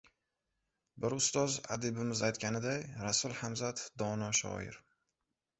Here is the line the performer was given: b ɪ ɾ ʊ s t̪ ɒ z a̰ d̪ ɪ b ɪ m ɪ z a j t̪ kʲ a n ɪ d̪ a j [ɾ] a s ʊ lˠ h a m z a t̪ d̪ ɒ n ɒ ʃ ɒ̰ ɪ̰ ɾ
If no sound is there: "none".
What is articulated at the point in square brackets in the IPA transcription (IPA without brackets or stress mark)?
ɾ